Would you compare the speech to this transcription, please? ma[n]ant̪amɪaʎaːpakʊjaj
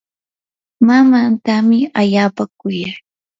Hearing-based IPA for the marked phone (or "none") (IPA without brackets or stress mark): m